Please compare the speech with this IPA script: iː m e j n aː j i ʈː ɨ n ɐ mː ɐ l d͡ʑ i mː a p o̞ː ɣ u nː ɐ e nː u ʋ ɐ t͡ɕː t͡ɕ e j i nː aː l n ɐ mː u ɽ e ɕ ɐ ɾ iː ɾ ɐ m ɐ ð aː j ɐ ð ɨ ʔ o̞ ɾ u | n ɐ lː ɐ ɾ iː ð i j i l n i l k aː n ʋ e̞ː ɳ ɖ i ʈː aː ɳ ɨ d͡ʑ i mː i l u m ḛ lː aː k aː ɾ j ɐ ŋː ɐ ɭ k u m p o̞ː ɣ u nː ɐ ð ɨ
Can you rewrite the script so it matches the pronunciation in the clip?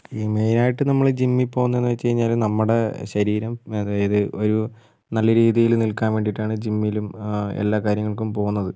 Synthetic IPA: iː m e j n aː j i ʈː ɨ n ɐ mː ɐ ɭ d͡ʑ i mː i p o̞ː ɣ u nː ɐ e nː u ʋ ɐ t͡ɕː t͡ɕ e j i ɲː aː l n ɐ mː u ɽ e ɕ ɐ ɾ iː ɾ ɐ m ɐ ð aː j ɐ ð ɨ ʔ o̞ ɾ u | n ɐ lː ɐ ɾ iː ð i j i l n i l k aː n ʋ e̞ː ɳ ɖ i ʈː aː ɳ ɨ d͡ʑ i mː i l u m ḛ lː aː k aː ɾ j ɐ ŋː ɐ ɭ k u m p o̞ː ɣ u nː ɐ ð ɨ